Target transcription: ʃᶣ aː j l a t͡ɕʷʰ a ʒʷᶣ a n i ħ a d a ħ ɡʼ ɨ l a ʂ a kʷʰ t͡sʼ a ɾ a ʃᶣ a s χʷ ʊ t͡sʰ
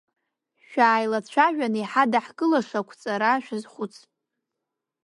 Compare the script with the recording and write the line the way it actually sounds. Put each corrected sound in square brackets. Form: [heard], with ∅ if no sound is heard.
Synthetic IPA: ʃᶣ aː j l a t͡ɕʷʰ a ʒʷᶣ a n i ħ a d a ħ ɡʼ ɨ l a ʂ a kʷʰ t͡sʼ a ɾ a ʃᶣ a [z] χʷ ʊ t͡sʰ